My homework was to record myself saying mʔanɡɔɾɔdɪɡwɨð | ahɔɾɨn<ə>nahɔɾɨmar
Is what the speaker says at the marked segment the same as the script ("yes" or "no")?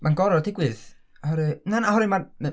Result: no